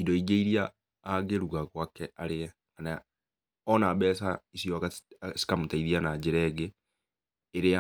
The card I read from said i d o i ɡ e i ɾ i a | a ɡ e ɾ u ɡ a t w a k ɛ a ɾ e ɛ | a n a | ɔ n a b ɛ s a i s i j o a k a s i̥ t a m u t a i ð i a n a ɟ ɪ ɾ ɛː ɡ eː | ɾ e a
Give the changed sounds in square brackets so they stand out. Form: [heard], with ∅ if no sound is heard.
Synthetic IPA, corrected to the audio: i d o i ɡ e i ɾ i a | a ɡ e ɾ u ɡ a [k] w a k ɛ a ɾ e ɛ | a n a | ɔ n a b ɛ s a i s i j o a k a s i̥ [k] a m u t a i ð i a n a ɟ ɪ ɾ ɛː ɡ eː | ɾ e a